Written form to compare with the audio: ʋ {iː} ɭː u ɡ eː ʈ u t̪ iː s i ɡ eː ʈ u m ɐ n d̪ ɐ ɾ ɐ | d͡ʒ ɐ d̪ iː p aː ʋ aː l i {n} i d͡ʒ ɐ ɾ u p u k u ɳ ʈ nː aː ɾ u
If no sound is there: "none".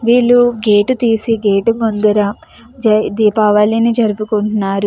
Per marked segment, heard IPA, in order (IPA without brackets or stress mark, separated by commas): iː, n